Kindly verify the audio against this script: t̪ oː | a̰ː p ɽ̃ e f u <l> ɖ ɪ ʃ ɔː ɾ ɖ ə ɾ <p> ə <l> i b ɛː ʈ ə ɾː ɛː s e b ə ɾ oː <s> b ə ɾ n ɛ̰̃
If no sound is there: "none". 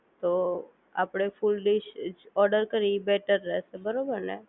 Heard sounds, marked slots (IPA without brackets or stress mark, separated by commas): l, k, ɾ, none